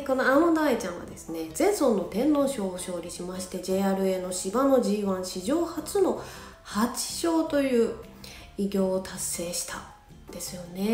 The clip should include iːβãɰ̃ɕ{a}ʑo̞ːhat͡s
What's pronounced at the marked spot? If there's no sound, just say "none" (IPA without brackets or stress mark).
i